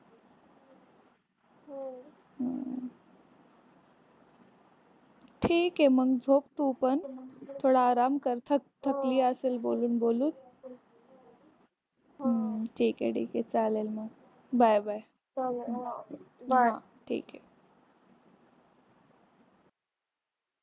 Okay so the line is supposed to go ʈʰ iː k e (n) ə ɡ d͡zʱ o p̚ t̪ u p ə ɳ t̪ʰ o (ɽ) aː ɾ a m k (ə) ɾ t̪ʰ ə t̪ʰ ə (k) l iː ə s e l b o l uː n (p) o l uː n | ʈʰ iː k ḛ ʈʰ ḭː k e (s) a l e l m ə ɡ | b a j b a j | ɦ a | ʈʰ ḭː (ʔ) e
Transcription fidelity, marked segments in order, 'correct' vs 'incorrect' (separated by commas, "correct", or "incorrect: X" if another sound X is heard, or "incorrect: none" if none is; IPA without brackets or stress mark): incorrect: m, correct, correct, correct, incorrect: b, incorrect: t͡s, incorrect: k